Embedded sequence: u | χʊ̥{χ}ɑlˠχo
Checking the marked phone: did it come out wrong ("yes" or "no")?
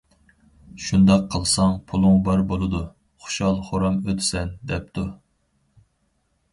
yes